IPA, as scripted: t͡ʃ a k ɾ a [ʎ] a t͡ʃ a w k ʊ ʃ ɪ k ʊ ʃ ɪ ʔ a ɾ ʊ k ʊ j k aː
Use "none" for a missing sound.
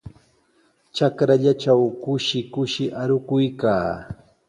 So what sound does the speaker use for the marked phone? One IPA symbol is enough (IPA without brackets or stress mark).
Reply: ʎ